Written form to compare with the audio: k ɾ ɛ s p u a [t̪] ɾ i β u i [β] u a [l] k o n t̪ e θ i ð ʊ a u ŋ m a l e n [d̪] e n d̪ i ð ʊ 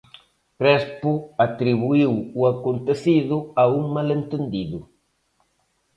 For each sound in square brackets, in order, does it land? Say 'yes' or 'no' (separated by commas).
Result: yes, no, no, no